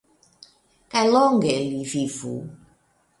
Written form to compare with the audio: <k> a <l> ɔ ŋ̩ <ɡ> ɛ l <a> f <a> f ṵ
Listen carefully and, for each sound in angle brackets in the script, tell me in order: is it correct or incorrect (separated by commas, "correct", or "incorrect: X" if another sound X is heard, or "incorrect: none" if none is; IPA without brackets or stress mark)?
correct, correct, correct, incorrect: i, incorrect: i